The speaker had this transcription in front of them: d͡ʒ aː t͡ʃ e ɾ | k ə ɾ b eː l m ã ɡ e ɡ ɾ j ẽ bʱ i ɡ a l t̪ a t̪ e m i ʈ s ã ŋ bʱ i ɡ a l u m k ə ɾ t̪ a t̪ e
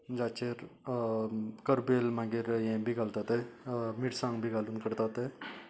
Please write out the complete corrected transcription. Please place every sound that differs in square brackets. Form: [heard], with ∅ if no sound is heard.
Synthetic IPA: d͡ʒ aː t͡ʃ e ɾ | k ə ɾ b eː l m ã ɡ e [∅] ɾ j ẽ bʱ i ɡ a l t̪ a t̪ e m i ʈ s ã ŋ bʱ i ɡ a l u [n] k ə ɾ t̪ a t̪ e